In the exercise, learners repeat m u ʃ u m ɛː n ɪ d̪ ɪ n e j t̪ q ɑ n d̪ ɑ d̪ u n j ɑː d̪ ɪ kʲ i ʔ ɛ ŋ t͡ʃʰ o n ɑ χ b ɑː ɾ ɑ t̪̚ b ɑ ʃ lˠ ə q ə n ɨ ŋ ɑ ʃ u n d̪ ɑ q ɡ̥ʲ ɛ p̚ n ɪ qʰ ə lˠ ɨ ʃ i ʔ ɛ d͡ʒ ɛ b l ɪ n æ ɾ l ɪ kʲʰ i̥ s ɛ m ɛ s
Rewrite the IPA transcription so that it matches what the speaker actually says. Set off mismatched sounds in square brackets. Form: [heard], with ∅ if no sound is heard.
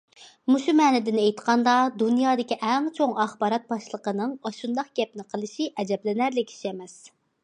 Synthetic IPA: m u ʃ u m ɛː n ɪ d̪ ɪ n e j t̪ q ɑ n d̪ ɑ d̪ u n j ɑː d̪ ɪ kʲ i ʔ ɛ ŋ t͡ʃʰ o [ŋ] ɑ χ b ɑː ɾ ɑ t̪̚ b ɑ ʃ lˠ ə q ə n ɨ ŋ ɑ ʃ u n d̪ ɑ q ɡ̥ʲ ɛ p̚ n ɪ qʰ ə lˠ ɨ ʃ i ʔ ɛ d͡ʒ ɛ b l ɪ n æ ɾ l ɪ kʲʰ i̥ [ʃ] ɛ m ɛ s